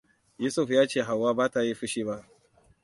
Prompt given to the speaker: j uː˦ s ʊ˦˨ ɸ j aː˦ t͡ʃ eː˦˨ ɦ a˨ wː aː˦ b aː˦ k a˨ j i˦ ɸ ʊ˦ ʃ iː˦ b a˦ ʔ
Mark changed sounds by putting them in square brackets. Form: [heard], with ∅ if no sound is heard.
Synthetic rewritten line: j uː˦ s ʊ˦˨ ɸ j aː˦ t͡ʃ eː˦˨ ɦ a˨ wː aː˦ b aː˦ [t] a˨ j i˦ ɸ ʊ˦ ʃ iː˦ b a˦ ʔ